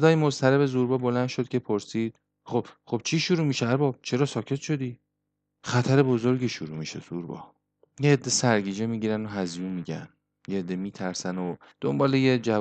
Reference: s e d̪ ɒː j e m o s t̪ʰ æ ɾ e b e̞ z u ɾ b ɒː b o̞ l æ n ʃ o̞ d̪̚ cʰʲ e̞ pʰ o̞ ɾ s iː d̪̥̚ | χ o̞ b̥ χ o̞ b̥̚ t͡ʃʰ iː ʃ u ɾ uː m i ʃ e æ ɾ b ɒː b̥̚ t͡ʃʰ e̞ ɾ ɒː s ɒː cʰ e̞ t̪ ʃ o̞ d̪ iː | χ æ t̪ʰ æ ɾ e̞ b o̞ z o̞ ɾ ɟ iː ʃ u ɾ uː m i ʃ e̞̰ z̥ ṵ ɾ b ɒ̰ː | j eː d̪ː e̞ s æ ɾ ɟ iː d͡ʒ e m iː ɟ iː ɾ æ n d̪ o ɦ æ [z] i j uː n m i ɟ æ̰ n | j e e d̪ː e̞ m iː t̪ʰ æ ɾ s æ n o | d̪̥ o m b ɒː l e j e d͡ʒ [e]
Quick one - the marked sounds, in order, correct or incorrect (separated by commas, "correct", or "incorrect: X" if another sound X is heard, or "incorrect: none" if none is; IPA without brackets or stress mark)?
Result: correct, incorrect: æ